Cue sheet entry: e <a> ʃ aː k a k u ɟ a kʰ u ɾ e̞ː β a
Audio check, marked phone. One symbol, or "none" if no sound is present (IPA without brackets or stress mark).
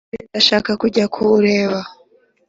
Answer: a